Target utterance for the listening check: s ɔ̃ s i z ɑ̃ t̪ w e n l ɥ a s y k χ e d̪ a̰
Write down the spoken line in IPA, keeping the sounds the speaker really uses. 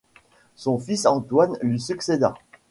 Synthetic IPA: s ɔ̃ f i s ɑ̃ t̪ w a n l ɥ i s y k s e d̪ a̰